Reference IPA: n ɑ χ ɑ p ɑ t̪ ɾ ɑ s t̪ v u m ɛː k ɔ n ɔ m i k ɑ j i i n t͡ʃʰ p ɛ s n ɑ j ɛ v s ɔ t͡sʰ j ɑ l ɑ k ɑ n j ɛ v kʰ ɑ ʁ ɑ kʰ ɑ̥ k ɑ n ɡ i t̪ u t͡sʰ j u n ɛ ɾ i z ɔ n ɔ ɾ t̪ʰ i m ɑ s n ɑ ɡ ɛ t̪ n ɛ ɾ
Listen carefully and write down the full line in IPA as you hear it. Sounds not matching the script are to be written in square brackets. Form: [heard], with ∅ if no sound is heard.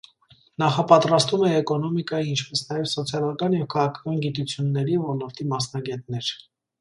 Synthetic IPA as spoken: n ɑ χ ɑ p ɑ t̪ ɾ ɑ s t̪ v u m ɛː k ɔ n ɔ m i k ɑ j i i n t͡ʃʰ p ɛ s n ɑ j ɛ v s ɔ t͡sʰ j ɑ l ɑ k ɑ n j ɛ v kʰ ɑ ʁ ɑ kʰ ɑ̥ k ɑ n ɡ i t̪ u t͡sʰ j u [nː] ɛ ɾ i [v] ɔ n ɔ ɾ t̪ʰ i m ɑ s n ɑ ɡ ɛ t̪ n ɛ ɾ